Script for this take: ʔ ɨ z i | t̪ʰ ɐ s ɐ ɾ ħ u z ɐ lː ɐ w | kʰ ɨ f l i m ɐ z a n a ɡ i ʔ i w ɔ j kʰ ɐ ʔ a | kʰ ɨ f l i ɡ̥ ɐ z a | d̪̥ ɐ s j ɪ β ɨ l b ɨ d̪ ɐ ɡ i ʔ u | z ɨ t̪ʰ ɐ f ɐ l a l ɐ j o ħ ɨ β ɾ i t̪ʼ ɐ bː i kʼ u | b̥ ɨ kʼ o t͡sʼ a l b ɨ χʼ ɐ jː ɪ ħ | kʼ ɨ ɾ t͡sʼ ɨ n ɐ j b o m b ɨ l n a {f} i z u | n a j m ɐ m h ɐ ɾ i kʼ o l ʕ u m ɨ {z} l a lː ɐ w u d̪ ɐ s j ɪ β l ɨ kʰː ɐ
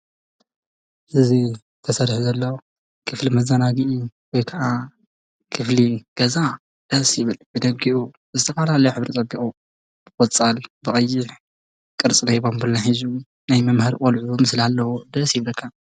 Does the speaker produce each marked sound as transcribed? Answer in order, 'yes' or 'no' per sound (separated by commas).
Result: no, no